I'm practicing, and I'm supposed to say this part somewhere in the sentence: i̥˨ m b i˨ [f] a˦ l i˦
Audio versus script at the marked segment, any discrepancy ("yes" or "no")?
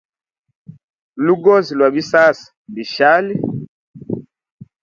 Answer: yes